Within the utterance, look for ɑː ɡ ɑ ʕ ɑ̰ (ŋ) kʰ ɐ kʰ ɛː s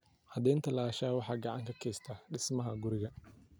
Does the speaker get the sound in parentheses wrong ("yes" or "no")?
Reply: no